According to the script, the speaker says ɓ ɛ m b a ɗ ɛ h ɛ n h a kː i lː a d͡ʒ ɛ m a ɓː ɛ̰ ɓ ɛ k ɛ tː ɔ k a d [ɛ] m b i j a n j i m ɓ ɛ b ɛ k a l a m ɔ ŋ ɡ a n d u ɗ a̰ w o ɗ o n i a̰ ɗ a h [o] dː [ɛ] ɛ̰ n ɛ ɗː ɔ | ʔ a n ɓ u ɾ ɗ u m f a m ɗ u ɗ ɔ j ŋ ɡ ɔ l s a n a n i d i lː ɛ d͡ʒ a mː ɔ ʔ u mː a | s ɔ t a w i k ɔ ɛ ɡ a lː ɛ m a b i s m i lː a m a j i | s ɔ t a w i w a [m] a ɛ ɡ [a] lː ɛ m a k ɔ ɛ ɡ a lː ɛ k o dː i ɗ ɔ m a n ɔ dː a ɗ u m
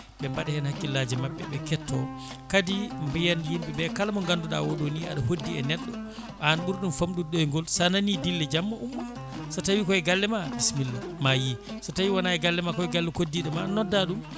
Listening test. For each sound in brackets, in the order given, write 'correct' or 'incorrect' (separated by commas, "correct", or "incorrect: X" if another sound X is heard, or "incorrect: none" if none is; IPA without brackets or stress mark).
incorrect: i, correct, incorrect: i, incorrect: n, correct